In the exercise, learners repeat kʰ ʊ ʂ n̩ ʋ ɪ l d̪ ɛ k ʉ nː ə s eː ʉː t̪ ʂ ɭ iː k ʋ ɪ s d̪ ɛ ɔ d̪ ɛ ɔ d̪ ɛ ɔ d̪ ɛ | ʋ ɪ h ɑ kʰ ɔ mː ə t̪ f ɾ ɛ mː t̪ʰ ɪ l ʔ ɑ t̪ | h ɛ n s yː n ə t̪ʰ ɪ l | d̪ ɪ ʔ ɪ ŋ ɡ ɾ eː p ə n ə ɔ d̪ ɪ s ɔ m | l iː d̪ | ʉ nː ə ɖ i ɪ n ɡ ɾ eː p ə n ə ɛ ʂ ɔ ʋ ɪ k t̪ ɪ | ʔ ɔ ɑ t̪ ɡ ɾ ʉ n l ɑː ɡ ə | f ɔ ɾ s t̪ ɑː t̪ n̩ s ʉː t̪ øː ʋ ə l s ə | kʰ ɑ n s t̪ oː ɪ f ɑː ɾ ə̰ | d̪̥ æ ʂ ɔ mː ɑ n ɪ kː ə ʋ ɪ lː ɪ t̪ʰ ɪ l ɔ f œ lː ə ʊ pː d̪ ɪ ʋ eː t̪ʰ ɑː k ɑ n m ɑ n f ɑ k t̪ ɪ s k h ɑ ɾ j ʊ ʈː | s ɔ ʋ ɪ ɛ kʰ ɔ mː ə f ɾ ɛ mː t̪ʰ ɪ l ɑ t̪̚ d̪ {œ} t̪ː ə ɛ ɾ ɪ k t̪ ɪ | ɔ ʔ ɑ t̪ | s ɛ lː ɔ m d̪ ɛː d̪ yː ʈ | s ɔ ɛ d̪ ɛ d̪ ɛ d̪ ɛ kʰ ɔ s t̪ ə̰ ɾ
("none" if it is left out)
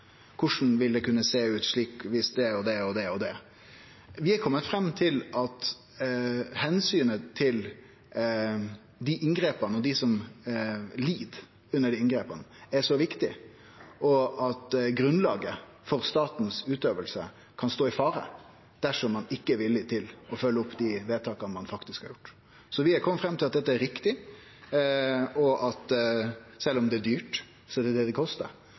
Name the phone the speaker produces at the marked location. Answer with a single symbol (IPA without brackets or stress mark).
ɛ